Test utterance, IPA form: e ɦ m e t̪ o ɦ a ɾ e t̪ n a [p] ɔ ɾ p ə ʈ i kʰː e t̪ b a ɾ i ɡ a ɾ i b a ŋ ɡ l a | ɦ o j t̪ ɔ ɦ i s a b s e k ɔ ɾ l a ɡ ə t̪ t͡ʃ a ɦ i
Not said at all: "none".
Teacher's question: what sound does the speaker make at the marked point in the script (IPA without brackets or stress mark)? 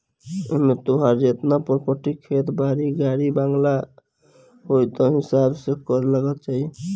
p